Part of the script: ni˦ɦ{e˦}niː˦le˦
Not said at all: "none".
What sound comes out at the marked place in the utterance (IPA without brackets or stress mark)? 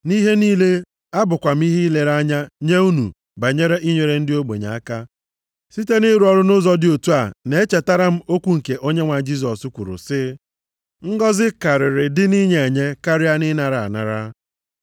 e˦